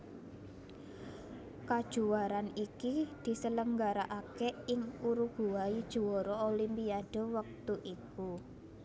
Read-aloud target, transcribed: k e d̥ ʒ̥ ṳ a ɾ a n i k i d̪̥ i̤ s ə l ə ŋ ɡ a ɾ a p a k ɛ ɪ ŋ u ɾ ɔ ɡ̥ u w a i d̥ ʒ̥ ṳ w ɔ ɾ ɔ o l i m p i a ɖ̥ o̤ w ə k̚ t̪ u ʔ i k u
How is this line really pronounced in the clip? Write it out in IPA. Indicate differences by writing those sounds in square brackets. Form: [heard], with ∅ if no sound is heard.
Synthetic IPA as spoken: k [a] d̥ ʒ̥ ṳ a ɾ a n i k i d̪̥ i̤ s ə l ə ŋ ɡ a ɾ a [ʔ] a k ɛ ɪ ŋ u ɾ [u] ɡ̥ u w a i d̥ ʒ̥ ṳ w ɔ ɾ ɔ o l i m p i a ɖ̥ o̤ w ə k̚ t̪ u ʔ i k u